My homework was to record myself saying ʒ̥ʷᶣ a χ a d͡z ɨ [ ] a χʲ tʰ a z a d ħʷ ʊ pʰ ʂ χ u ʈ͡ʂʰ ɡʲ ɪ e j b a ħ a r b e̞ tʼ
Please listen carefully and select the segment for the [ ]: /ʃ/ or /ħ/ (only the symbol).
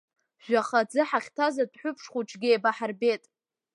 ħ